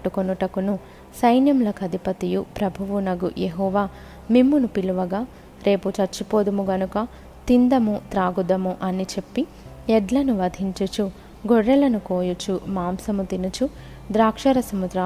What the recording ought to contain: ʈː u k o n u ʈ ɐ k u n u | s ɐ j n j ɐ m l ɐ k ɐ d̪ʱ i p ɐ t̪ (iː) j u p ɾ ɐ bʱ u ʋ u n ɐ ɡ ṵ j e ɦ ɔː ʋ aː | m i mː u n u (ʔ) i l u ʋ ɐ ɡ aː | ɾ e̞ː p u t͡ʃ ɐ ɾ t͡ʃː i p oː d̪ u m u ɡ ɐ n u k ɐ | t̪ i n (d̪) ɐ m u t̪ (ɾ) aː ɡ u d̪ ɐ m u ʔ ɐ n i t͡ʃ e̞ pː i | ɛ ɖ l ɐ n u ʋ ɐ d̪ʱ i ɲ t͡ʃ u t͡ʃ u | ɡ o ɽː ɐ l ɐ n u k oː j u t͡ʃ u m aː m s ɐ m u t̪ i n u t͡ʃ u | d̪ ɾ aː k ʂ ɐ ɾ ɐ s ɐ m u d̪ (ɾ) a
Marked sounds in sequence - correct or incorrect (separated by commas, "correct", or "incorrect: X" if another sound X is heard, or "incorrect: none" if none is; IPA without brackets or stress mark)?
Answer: incorrect: i, incorrect: p, correct, correct, correct